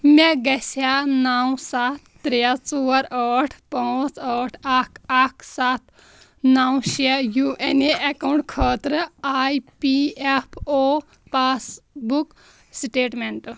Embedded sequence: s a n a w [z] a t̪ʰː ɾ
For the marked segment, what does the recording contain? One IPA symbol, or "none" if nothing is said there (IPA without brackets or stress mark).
s